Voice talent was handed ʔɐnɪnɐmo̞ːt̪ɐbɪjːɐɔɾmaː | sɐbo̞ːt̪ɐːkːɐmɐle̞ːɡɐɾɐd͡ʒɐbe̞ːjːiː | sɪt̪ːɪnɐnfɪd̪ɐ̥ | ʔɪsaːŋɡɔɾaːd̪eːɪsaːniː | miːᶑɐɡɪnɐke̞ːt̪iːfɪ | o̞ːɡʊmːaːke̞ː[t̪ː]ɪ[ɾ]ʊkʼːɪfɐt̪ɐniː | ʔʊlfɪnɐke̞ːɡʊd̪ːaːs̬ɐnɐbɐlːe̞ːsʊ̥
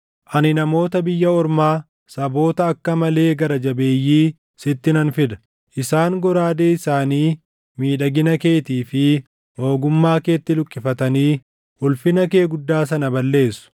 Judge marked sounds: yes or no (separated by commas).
yes, no